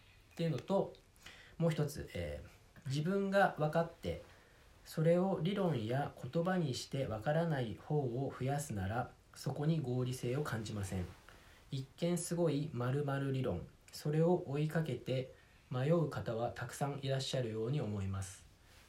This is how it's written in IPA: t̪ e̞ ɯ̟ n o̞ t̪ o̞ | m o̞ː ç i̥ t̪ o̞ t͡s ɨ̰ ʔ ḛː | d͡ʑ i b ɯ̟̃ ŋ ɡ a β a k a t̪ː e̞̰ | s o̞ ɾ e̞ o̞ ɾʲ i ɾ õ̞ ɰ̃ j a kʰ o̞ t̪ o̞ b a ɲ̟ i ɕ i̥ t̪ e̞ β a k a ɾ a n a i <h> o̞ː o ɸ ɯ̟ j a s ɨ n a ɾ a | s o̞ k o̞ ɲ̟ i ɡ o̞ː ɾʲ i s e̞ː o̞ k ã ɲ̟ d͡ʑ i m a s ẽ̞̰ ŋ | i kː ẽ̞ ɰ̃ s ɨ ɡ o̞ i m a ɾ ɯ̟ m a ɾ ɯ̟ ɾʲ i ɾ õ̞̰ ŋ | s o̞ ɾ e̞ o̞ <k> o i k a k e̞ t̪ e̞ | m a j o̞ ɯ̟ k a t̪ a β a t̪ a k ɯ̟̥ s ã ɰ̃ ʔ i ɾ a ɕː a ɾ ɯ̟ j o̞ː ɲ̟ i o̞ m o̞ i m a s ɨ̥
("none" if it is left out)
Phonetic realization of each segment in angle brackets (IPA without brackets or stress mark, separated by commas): h, ʔ